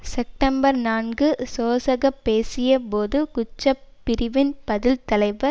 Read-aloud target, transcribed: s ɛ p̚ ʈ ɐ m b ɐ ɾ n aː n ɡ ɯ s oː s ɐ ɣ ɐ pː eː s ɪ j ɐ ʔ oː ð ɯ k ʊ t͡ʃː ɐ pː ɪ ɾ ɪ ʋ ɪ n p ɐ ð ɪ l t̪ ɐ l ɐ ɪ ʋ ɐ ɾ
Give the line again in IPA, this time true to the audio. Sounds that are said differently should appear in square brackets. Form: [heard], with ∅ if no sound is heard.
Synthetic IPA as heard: s ɛ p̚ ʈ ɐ m b ɐ ɾ n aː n ɡ ɯ s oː s ɐ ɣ ɐ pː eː s ɪ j ɐ [p] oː ð ɯ k ʊ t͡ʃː ɐ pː ɪ ɾ ɪ ʋ ɪ n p ɐ ð ɪ l t̪ ɐ l ɐ ɪ ʋ ɐ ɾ

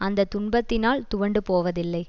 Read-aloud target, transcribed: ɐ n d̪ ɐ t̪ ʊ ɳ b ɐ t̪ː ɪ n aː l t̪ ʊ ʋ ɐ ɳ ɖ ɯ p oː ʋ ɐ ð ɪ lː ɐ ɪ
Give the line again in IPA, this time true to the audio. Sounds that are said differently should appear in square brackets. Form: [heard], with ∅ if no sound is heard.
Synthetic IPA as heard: ɐ n d̪ ɐ t̪ ʊ ɳ b ɐ t̪ː ɪ n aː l t̪ ʊ ʋ ɐ ɳ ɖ ɯ p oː ʋ ɐ ð ɪ lː ɐ ɪ

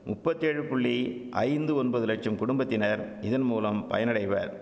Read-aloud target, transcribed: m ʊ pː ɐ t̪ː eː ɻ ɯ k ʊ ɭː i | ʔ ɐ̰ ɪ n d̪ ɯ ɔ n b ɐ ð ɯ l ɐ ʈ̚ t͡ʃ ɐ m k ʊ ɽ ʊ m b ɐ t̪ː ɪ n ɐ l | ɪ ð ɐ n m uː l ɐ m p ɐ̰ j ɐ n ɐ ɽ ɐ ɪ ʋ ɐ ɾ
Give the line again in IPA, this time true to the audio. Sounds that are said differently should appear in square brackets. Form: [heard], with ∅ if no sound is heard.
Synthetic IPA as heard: m ʊ pː ɐ t̪ː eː ɻ ɯ [p] ʊ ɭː i | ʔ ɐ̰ ɪ n d̪ ɯ ɔ n b ɐ ð ɯ l ɐ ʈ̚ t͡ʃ ɐ m k ʊ ɽ ʊ m b ɐ t̪ː ɪ n ɐ [ɾ] | ɪ ð ɐ n m uː l ɐ m p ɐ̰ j ɐ n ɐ ɽ ɐ ɪ ʋ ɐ ɾ

